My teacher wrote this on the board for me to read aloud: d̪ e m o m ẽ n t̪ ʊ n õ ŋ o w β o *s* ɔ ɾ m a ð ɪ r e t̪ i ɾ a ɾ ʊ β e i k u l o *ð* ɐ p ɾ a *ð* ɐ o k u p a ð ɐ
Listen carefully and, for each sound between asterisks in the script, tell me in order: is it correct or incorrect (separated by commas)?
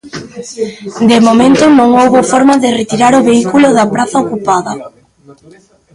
incorrect, correct, incorrect